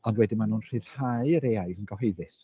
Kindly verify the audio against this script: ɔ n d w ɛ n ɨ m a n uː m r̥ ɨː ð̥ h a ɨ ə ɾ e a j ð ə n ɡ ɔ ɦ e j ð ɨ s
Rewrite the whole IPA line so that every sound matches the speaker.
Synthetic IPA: ɔ n d w ɛ d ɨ m a n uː n r̥ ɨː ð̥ h a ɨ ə ɾ e a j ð ə n ɡ ɔ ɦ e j ð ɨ s

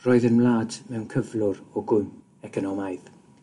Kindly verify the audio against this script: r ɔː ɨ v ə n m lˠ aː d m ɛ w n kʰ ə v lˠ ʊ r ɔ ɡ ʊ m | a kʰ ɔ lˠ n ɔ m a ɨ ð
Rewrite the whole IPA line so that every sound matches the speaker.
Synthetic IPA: r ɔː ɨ ð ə n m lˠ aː d m ɛ w n kʰ ə v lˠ ʊ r ɔ ɡ ʊ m | ɛ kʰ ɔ n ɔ m a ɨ ð

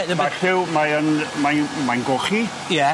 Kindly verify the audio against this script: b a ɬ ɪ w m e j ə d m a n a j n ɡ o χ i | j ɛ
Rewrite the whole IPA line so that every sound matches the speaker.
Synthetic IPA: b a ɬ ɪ w m a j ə n m a m a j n ɡ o χ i | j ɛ

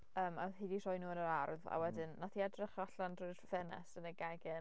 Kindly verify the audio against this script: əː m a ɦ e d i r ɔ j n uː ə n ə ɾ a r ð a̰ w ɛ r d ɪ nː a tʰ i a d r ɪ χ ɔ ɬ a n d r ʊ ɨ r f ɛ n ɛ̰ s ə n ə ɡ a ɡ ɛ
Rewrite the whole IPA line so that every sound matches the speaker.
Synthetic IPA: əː m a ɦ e d i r ɔ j n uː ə n ə ɾ a r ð a̰ w ɛ d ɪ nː a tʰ i a d r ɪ χ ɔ ɬ a n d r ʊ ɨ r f ɛ n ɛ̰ s ə n ə ɡ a ɡ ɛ

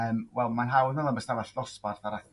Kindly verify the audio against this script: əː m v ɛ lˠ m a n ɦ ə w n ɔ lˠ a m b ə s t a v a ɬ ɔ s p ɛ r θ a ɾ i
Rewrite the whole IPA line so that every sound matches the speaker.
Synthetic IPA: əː m w ɛ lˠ m a n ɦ a w n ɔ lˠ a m b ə s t a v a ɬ ɔ s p a r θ a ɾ a

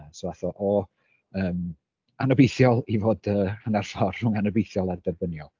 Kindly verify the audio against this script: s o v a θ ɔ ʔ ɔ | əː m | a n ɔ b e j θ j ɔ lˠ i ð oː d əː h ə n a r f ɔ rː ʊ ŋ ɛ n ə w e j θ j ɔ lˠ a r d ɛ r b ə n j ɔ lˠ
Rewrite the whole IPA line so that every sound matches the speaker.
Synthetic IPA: s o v a θ ɔ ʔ ɔ | əː m | a n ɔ b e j θ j ɔ lˠ i v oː d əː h ə n a r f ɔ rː ʊ ŋ a n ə b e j θ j ɔ lˠ a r d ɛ r b ə n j ɔ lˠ

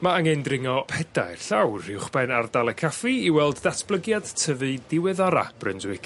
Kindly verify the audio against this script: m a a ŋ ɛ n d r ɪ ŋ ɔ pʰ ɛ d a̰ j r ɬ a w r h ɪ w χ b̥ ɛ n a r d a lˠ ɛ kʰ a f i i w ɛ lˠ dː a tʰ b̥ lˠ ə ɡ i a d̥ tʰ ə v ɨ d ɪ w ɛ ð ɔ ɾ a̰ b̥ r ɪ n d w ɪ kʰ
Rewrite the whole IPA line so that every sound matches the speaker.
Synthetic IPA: m a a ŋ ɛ n d r ɪ ŋ ɔ pʰ ɛ d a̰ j r ɬ a w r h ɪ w χ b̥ ɛ n a r d a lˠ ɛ kʰ a f i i w ɛ lˠ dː a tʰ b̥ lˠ ə ɡ j a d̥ tʰ ə v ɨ d ɪ w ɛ ð ɔ ɾ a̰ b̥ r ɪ n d w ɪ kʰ

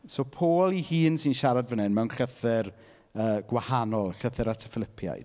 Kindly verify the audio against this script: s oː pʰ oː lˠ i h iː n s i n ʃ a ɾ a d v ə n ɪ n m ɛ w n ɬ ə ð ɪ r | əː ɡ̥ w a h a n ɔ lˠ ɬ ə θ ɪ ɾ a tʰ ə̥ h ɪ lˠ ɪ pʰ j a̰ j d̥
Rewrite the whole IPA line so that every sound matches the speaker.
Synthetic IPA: s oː pʰ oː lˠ i h iː n s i n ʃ a ɾ a d v ə n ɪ n m ɛ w n ɬ ə θ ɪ r | əː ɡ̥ w a h a n ɔ lˠ ɬ ə θ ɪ ɾ a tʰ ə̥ f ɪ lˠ ɪ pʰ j a̰ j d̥

